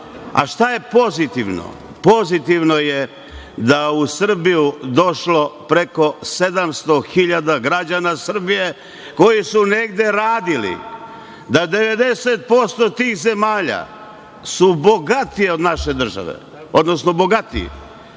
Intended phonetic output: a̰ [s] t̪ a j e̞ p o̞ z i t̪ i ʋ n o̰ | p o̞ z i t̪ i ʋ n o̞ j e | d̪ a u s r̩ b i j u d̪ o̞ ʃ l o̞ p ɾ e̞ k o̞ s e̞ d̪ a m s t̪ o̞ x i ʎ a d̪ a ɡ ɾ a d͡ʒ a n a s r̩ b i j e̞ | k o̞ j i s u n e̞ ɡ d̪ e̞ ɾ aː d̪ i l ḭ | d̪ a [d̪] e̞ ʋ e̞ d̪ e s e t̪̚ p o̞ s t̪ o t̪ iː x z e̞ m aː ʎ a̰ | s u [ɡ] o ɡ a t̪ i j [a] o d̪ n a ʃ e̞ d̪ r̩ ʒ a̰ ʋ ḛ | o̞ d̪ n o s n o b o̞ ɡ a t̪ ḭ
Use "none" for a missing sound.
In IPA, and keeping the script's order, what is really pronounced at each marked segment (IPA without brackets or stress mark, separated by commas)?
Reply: ʃ, d̪, b, e